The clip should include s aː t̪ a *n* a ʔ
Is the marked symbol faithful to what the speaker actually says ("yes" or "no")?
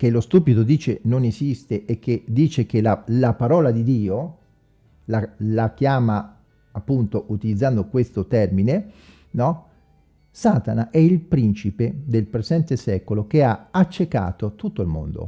yes